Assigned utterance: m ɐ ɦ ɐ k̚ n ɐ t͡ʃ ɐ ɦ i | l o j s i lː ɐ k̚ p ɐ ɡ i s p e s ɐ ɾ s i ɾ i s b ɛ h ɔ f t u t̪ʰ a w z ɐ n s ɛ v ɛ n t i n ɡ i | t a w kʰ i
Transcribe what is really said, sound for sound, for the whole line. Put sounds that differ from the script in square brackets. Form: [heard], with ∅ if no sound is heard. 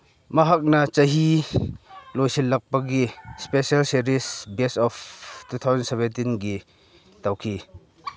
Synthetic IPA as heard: m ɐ ɦ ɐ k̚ n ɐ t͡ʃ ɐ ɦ i | l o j s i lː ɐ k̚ p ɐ ɡ i s p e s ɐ [l] s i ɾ i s b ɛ [s] ɔ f t u t̪ʰ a w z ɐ n s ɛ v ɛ n t i n ɡ i | t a w kʰ i